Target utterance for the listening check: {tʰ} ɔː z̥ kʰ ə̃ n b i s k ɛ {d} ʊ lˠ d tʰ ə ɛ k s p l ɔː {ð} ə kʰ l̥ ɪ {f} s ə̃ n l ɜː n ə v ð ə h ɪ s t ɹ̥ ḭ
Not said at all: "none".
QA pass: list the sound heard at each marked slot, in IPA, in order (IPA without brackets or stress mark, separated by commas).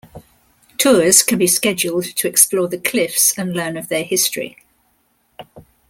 tʰ, d͡ʒ, ð, f